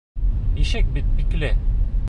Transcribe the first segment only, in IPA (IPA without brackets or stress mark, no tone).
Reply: i